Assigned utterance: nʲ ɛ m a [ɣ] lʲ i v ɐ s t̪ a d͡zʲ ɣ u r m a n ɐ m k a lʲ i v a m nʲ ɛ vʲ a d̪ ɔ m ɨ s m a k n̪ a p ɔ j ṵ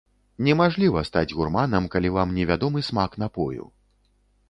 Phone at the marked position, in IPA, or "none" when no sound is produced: ʐ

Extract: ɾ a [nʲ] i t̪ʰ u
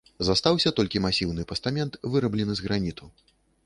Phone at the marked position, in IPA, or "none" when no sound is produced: nʲ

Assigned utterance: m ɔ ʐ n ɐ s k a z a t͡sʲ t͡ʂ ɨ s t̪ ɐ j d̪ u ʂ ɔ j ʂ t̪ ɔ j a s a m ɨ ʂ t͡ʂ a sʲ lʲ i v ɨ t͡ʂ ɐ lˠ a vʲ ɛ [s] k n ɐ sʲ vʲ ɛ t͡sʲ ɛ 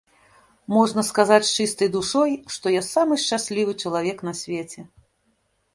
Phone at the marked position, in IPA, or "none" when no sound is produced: none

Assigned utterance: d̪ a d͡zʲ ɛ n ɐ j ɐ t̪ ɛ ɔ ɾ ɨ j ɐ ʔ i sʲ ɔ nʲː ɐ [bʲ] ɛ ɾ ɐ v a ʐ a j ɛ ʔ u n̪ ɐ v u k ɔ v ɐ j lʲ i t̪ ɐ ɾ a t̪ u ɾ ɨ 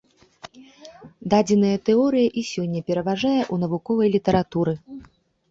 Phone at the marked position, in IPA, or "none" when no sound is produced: pʲ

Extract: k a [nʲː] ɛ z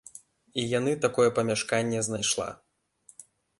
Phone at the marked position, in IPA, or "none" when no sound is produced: nʲː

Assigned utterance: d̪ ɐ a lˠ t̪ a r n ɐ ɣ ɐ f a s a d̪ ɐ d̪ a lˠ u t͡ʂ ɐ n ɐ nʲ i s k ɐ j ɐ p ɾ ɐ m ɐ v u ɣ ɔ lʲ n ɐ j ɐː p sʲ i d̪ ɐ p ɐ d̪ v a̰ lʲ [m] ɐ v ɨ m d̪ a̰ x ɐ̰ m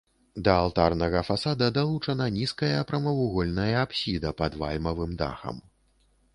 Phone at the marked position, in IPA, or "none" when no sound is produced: m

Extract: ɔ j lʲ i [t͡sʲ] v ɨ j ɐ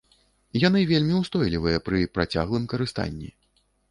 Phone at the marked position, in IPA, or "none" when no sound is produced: none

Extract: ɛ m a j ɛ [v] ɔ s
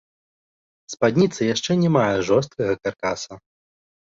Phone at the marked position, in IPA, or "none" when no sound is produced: ʐ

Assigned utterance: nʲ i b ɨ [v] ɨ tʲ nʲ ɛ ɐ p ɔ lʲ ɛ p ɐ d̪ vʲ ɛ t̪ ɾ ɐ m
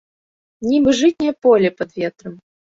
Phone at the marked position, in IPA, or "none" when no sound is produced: ʐ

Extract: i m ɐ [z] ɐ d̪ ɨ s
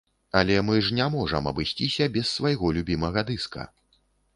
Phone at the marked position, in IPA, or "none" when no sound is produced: ɣ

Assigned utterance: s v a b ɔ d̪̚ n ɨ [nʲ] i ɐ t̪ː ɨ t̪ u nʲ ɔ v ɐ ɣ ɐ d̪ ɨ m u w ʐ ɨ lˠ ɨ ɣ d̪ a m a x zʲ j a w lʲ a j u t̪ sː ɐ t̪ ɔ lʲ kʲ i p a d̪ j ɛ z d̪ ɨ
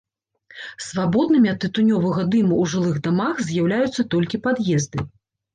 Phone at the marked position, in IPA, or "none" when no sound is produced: mʲ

